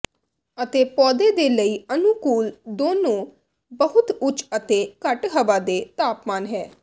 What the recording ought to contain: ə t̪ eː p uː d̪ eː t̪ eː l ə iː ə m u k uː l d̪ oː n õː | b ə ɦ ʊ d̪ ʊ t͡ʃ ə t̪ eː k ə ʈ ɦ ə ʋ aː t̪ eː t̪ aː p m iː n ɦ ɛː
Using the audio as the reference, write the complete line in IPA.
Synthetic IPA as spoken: ə t̪ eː p ɔː d̪ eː d̪ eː l ə iː ə n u k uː l d̪ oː n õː | b ə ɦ ʊ t̪ ʊ t͡ʃ ə t̪ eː k ə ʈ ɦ ə ʋ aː d̪ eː t̪ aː p m aː n ɦ ɛː

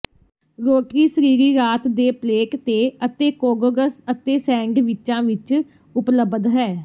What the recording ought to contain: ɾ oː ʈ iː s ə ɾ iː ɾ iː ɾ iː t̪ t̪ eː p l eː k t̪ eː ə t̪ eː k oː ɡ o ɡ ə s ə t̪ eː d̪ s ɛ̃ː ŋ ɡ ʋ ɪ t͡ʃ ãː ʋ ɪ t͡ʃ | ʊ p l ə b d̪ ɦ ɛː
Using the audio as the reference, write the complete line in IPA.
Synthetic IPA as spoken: ɾ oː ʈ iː s ə ɾ iː ɾ iː ɾ aː t̪ d̪ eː p l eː k t̪ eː ə t̪ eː k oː ɡ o ɡ ə s ə t̪ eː s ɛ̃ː ŋ ɡ ʋ ɪ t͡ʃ ãː ʋ ɪ t͡ʃ | ʊ p l ə b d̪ ɦ ɛː

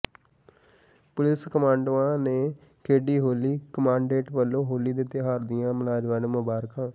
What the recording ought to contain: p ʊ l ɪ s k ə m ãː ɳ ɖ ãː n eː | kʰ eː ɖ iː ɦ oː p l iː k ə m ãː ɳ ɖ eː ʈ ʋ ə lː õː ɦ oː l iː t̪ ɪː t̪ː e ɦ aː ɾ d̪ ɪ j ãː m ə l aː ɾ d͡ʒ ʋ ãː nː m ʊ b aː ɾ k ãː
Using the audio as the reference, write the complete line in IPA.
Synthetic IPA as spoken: p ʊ l ɪ s k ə m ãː ɳ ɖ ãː n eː | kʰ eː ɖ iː ɦ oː l iː k ə m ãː ɳ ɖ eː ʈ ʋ ə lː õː ɦ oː l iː d̪ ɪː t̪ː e ɦ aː ɾ d̪ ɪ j ãː m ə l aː d͡ʒ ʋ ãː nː m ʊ b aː ɾ k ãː

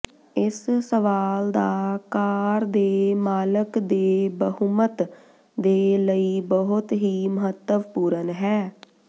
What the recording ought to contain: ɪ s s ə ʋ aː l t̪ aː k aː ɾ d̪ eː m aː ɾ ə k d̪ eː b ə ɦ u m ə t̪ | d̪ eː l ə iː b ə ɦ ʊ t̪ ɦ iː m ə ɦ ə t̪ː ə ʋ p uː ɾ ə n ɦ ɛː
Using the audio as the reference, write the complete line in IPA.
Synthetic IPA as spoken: ɪ s s ə ʋ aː l d̪ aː k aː ɾ d̪ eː m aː l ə k d̪ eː b ə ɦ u m ə t̪ | d̪ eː l ə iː b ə ɦ ʊ t̪ ɦ iː m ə ɦ ə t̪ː ə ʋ p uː ɾ ə n ɦ ɛː

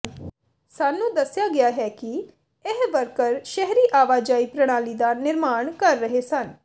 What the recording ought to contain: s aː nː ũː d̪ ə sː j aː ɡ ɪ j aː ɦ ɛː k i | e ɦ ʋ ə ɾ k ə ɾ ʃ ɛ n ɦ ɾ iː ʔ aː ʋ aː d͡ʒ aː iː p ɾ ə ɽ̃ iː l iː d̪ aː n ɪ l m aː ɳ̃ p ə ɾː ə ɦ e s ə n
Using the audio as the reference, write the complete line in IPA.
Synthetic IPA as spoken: s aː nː ũː d̪ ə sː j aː ɡ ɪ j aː ɦ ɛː k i | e ɦ ʋ ə ɾ k ə ɾ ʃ ɛ ɦ ɾ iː ʔ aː ʋ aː d͡ʒ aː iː p ɾ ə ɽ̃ aː l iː d̪ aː n ɪ ɾ m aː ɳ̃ k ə ɾː ə ɦ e s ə n

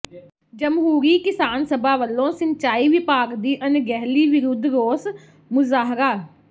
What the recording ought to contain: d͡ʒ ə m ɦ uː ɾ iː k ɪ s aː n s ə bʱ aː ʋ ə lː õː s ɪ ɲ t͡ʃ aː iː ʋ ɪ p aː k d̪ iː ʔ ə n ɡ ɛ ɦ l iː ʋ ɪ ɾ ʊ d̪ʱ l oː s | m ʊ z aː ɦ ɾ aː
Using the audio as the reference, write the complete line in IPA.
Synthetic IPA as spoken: d͡ʒ ə m ɦ uː ɾ iː k ɪ s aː n s ə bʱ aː ʋ ə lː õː s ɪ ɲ t͡ʃ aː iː ʋ ɪ p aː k d̪ iː ʔ ə n ɡ ɛ ɦ l iː ʋ ɪ ɾ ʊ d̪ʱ ɾ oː s | m ʊ z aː ɦ ɾ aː

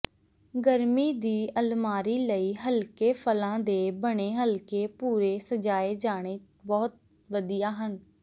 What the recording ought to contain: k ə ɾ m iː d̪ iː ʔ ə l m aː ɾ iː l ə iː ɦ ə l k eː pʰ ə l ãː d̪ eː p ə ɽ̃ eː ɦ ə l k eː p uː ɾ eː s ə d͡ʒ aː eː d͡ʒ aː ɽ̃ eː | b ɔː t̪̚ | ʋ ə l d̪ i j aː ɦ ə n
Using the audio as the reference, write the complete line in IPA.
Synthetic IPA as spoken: ɡ ə ɾ m iː d̪ iː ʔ ə l m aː ɾ iː l ə iː ɦ ə l k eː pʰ ə l ãː d̪ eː b ə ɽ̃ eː ɦ ə l k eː p uː ɾ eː s ə d͡ʒ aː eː d͡ʒ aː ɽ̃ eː | b ɔː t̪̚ | ʋ ə d̪ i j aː ɦ ə n

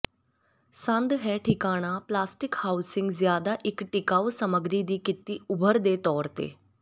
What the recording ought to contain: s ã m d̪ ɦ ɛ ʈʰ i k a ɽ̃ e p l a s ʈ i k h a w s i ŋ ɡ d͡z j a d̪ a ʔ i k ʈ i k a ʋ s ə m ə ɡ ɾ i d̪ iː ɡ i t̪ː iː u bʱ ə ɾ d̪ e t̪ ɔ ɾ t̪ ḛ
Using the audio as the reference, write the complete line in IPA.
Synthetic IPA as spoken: s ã n d̪ ɦ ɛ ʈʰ i k a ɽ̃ a p l a s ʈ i k h a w s i ŋ ɡ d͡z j a d̪ a ʔ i k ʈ i k a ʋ s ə m ə ɡ ɾ i d̪ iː k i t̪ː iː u bʱ ə ɾ d̪ e t̪ ɔ ɾ t̪ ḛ

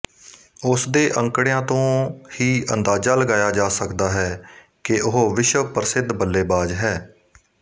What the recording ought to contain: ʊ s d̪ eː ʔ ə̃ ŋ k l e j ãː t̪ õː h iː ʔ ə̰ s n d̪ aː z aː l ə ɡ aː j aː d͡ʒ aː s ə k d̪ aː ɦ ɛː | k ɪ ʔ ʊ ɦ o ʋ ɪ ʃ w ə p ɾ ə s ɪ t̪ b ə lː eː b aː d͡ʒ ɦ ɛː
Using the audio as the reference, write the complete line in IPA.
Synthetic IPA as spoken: ʊ s d̪ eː ʔ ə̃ ŋ k ɽ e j ãː t̪ õː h iː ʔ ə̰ n d̪ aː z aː l ə ɡ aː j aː d͡ʒ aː s ə k d̪ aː ɦ ɛː | k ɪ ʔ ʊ ɦ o ʋ ɪ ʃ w ə p ɾ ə s ɪ d̪ b ə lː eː b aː d͡ʒ ɦ ɛː

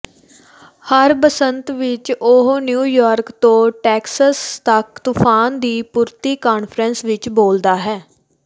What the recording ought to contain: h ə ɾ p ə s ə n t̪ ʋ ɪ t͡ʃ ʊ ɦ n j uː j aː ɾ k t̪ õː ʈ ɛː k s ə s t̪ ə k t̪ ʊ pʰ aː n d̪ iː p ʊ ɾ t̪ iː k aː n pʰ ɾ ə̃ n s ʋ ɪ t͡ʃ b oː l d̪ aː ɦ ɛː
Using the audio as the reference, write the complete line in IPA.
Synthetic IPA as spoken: h ə ɾ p ə s ə n t̪ ʋ ɪ t͡ʃ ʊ ɦ n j uː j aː ɾ k t̪ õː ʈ ɛː k s ə s t̪ ə k t̪ ʊ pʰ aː n d̪ iː p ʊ ɾ t̪ iː k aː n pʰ ɾ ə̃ n s ʋ ɪ t͡ʃ b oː l d̪ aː ɦ ɛː

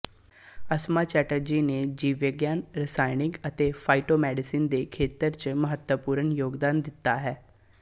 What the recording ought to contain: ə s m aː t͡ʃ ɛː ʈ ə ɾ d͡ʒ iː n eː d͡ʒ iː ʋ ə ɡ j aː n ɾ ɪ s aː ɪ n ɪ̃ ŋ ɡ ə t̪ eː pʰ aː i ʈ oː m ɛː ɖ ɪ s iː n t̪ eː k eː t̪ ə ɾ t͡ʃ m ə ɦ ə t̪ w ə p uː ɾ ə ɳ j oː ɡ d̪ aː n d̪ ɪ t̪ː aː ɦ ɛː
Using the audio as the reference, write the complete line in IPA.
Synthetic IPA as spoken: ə s m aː t͡ʃ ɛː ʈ ə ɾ d͡ʒ iː n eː d͡ʒ iː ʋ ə ɡ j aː n ɾ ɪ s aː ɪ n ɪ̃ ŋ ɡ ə t̪ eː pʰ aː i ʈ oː m ɛː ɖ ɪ s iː n d̪ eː kʰ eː t̪ ə ɾ t͡ʃ m ə ɦ ə t̪ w ə p uː ɾ ə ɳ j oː ɡ d̪ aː n d̪ ɪ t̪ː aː ɦ ɛː

